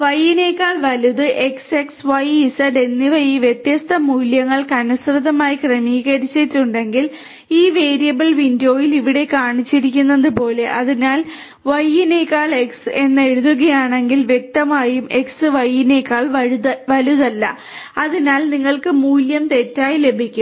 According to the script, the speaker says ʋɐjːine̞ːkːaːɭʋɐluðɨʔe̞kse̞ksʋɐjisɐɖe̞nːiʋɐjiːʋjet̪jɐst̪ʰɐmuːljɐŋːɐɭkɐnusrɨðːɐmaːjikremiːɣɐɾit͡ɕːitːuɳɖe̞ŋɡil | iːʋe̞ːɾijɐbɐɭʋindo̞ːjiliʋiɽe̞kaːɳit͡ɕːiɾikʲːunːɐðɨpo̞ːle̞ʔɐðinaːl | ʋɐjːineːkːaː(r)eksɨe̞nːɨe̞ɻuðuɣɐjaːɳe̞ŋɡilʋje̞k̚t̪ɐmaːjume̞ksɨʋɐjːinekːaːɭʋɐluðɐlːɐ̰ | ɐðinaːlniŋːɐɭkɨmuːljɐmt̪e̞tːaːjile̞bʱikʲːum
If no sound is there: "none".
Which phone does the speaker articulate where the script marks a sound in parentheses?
ɭ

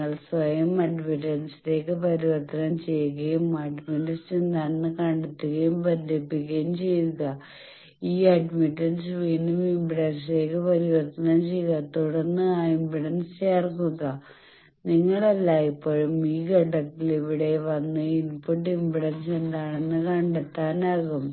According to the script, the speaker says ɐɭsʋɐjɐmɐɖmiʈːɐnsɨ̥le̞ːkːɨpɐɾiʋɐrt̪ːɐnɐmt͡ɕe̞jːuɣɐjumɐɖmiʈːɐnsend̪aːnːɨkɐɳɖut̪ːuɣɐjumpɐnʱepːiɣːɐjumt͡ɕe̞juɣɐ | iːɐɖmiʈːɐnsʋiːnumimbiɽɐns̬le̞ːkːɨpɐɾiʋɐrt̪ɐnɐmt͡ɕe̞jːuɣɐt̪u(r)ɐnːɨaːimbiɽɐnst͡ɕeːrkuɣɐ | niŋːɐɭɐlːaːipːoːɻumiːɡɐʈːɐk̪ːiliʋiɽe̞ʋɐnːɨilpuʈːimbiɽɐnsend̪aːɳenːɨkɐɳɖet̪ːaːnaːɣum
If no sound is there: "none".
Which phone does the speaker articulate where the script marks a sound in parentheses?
ɽ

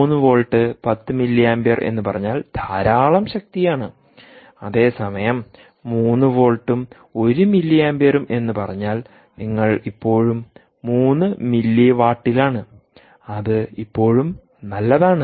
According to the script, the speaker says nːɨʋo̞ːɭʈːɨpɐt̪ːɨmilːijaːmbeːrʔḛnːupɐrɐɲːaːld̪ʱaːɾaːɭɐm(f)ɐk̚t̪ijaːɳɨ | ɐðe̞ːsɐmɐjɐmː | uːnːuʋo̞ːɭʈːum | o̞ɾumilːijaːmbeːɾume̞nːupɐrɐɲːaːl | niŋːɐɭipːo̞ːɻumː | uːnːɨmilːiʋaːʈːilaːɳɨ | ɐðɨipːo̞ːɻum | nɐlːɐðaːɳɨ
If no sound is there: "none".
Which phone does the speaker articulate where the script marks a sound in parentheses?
ɕ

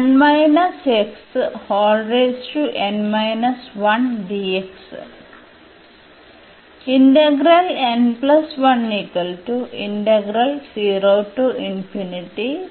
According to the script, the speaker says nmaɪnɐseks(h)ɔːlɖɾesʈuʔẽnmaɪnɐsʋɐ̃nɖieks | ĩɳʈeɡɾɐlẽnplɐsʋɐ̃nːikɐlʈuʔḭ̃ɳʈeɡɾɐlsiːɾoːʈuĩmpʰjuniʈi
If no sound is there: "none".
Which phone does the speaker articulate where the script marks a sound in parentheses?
h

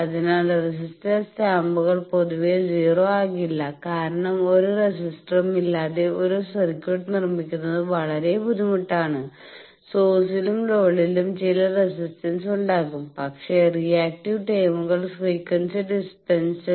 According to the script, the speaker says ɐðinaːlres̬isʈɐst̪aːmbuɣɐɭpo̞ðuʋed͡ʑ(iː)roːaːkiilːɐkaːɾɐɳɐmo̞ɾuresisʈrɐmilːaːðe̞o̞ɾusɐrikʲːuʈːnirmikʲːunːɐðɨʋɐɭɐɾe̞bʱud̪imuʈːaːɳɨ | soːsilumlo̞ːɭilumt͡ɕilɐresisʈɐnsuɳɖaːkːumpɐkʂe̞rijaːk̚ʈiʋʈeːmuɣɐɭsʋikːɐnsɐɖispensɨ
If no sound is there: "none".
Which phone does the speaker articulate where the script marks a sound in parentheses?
iː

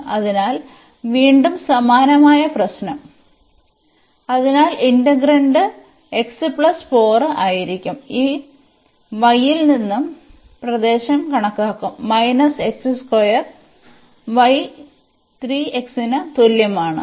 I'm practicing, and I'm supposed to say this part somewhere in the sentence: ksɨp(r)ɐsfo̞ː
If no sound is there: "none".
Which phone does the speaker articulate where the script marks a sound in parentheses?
ɭ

